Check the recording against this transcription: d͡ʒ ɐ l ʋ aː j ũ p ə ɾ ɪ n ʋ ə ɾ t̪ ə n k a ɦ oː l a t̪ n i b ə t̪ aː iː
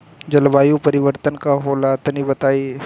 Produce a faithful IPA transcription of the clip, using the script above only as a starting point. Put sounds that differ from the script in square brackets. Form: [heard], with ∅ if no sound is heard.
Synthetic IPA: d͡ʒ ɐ l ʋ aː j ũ p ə ɾ ɪ [∅] ʋ ə ɾ t̪ ə n k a ɦ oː l a t̪ n i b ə t̪ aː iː